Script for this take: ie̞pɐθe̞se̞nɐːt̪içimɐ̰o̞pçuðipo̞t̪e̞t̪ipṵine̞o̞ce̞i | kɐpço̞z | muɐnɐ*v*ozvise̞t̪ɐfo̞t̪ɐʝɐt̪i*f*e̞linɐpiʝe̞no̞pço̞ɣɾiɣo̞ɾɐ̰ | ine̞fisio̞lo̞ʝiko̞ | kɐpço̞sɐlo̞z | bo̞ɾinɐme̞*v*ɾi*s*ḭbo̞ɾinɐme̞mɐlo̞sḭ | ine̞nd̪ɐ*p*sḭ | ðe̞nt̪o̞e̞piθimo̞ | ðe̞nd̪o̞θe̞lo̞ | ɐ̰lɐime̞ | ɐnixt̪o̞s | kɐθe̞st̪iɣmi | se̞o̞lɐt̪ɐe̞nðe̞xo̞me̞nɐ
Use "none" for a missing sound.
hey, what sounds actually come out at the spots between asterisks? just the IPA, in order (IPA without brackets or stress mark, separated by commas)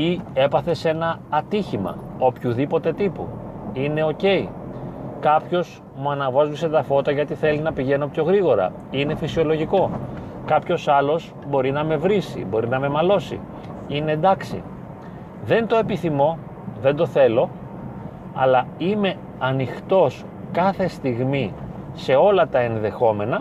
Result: v, θ, v, s, k